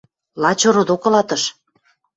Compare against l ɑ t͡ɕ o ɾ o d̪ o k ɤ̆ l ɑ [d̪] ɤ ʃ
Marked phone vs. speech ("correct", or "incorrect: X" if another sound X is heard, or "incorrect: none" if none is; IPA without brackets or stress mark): incorrect: t̪